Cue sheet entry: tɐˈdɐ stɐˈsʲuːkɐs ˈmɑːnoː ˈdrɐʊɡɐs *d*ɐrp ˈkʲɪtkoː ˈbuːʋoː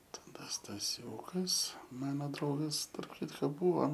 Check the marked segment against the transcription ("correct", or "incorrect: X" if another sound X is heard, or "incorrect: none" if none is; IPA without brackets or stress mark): incorrect: t